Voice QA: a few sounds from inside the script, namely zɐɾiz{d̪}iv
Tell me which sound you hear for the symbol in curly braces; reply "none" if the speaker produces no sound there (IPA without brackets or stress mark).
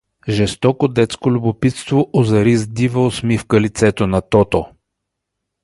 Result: d̪